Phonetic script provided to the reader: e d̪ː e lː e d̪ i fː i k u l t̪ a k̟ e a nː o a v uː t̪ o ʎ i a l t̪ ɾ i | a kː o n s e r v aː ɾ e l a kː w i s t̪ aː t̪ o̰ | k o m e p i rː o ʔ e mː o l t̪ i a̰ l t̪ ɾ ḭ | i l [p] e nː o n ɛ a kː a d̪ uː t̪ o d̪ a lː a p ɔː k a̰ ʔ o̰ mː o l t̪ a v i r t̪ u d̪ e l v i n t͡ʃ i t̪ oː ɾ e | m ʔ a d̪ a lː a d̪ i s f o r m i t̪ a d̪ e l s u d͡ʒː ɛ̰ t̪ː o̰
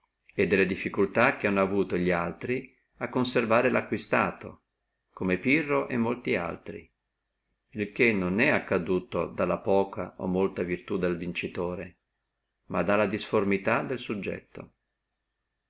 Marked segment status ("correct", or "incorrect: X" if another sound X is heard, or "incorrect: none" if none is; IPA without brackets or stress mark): incorrect: k